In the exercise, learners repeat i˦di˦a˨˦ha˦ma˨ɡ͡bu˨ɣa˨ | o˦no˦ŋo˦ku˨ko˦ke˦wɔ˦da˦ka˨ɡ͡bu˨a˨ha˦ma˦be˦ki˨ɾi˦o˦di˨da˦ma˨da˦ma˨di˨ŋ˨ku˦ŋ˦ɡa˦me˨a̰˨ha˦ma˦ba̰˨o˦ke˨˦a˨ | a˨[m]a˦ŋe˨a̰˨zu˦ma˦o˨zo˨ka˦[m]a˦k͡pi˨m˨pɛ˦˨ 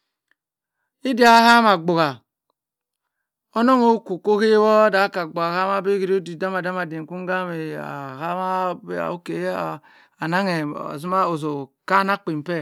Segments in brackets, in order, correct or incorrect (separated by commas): incorrect, incorrect